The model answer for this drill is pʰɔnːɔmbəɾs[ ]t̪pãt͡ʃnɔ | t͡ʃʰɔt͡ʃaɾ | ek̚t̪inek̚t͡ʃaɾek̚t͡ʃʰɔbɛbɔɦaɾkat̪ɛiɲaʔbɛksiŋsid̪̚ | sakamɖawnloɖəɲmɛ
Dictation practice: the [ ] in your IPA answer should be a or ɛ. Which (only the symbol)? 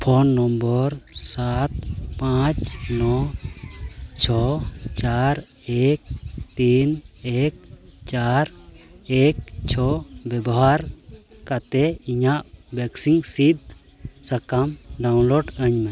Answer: a